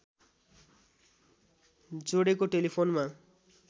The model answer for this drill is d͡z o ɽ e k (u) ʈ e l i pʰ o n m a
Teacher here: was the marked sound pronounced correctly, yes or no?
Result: no